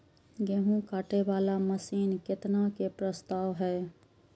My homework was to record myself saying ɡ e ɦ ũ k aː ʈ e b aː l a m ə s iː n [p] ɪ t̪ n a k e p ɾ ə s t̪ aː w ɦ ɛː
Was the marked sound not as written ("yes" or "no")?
yes